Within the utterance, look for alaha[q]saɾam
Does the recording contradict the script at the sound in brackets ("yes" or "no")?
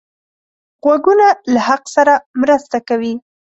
no